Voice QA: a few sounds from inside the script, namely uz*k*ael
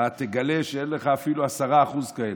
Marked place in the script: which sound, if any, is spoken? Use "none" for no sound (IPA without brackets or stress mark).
k